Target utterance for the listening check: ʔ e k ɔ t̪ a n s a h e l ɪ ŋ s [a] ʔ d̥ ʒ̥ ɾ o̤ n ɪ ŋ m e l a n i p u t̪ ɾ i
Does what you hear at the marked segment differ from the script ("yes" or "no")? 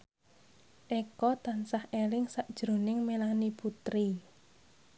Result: no